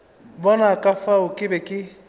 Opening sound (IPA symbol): b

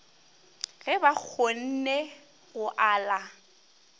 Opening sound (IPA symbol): ɣ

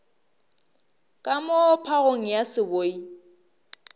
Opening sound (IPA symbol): kʼ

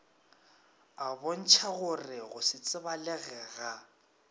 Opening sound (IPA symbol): a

